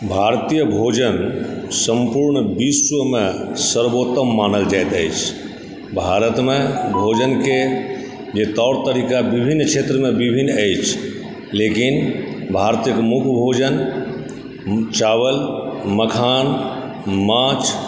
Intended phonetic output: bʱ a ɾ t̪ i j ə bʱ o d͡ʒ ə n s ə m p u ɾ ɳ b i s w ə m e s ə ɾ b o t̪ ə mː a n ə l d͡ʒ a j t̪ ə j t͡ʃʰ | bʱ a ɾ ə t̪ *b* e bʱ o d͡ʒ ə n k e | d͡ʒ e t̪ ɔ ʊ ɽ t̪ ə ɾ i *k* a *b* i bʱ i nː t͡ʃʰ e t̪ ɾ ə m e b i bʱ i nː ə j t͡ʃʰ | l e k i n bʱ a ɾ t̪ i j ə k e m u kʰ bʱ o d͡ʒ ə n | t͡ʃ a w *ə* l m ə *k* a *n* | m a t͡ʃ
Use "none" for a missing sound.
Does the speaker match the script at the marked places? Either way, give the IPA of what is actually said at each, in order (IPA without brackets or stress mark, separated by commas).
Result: m, k, b, ə, kʰ, n